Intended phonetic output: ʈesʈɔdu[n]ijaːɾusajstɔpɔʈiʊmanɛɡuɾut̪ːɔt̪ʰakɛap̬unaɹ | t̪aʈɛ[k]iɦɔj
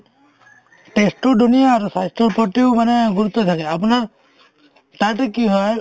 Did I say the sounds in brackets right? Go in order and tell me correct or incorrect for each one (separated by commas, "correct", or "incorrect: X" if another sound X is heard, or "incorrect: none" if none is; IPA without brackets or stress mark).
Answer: correct, correct